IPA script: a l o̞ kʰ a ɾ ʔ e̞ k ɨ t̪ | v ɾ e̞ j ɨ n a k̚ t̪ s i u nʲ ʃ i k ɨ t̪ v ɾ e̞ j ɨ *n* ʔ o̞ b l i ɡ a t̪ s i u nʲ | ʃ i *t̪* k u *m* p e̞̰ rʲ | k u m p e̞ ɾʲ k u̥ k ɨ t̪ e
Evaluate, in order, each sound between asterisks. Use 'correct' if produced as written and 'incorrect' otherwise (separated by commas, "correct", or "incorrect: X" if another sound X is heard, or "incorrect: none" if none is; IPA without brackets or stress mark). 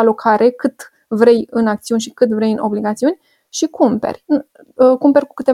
correct, incorrect: none, correct